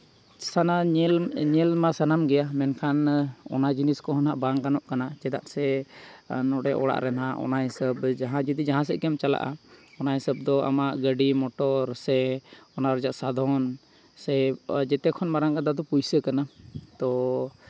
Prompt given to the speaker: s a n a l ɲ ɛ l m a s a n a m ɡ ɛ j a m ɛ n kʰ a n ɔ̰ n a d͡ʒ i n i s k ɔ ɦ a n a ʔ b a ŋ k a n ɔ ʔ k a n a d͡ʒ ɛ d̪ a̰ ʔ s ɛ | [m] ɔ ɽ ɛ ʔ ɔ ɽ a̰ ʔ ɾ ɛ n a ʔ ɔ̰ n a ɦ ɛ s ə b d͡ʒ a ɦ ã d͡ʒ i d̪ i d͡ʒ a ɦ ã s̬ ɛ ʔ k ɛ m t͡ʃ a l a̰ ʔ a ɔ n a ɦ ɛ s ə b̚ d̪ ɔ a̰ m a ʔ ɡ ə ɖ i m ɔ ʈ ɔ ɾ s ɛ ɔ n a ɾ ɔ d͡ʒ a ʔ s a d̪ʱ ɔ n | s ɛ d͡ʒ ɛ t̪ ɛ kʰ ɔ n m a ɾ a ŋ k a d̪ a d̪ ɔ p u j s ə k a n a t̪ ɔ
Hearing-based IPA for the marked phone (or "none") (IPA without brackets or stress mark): n